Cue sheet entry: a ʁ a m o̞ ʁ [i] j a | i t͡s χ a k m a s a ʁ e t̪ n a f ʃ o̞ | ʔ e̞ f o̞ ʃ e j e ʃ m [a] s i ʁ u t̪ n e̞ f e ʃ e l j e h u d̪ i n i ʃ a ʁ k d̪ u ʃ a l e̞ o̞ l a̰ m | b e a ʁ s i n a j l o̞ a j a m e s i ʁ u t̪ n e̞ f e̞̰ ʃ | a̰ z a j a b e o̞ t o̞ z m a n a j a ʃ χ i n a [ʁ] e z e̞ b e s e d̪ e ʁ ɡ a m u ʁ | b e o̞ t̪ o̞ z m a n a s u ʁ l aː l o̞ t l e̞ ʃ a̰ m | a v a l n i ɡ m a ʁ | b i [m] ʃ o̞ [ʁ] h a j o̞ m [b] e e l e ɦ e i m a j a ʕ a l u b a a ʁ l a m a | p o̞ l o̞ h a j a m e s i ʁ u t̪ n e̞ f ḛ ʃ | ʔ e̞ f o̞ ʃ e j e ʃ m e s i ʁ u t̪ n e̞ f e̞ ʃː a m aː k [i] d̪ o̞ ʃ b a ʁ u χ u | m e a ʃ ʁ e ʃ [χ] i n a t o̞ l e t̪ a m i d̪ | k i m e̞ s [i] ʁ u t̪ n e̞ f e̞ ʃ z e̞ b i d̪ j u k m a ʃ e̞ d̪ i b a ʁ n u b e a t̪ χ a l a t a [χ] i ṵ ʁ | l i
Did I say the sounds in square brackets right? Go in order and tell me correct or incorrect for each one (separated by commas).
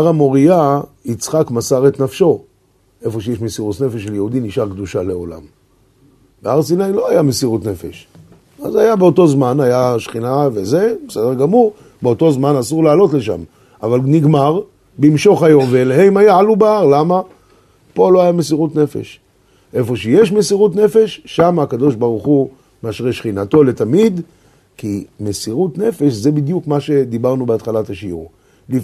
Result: correct, incorrect, incorrect, correct, incorrect, incorrect, incorrect, correct, correct, incorrect